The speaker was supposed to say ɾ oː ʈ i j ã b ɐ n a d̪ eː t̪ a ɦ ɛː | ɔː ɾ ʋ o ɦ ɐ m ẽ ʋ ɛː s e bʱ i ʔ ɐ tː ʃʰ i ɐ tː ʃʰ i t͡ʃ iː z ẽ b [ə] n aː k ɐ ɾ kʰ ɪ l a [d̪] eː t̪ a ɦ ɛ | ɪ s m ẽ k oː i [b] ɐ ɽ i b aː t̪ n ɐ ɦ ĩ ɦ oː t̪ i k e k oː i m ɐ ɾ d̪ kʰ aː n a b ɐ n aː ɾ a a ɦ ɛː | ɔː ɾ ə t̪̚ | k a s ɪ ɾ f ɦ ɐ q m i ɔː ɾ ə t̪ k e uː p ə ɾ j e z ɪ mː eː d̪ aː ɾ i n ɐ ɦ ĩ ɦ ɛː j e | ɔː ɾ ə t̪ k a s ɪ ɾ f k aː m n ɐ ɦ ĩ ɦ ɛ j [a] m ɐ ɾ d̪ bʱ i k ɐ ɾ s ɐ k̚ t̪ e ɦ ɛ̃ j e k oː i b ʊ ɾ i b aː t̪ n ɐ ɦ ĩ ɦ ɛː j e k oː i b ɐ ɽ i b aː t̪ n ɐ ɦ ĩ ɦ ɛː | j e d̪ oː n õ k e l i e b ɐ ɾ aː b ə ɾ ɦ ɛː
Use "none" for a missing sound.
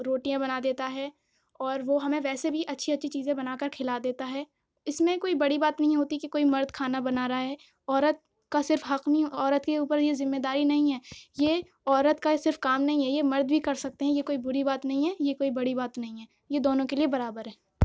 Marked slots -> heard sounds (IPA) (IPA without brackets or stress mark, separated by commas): ɐ, d̪, b, e